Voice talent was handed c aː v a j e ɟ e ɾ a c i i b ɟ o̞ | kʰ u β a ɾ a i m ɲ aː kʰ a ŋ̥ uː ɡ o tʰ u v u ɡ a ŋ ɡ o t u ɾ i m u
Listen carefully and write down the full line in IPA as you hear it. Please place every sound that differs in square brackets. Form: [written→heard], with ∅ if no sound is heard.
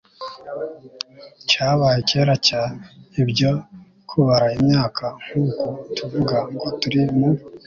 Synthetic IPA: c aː [v→β] a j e [ɟ→c] e ɾ a c [i→a] i b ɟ o̞ | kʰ u β a ɾ a i m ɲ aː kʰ a ŋ̥ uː [ɡ→k] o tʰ u v u ɡ a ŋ ɡ o t u ɾ i m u